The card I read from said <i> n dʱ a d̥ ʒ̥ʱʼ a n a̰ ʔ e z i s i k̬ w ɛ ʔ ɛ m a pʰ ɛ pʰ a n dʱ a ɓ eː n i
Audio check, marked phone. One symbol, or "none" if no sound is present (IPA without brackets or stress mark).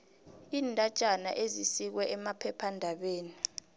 iː